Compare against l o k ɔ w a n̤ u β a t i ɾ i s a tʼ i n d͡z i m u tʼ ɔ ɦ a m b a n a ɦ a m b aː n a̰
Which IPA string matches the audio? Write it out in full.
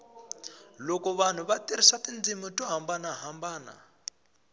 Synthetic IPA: l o k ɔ β a n̤ u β a t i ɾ i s a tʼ i n d͡z i m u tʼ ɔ ɦ a m b a n a ɦ a m b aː n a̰